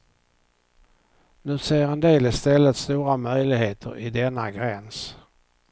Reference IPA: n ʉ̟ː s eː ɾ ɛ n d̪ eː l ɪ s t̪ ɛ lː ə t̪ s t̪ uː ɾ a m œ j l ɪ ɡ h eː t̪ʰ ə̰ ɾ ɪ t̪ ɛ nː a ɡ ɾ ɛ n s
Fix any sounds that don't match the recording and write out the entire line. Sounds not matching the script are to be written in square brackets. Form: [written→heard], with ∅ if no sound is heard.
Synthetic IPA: n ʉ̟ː s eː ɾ ɛ n d̪ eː l ɪ s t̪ ɛ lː ə t̪ s t̪ uː ɾ a m œ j l ɪ ɡ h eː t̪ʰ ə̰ ɾ ɪ [t̪→d̪] ɛ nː a ɡ ɾ ɛ n s